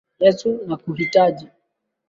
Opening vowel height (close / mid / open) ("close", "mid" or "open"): mid